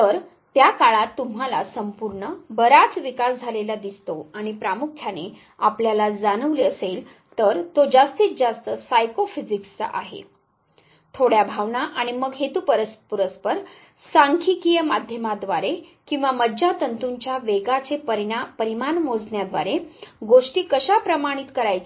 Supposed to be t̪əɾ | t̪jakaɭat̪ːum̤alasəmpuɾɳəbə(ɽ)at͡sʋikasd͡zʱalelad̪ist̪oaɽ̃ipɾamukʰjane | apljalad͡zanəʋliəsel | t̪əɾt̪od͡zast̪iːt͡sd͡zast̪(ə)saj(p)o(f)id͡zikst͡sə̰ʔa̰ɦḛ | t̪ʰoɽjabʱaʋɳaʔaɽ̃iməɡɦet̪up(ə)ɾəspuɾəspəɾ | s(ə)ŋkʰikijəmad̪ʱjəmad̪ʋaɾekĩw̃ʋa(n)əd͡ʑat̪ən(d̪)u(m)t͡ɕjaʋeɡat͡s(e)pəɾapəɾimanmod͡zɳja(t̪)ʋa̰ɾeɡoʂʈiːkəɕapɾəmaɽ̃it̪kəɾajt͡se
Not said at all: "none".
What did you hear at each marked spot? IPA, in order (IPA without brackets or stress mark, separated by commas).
ɾ, ə, k, f, ə, a, m, t̪, ɲ, e, d̪